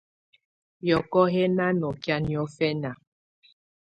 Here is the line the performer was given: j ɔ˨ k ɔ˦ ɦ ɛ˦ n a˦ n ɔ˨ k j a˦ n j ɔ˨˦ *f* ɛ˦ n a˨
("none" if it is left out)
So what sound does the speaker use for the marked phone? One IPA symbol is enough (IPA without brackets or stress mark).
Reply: f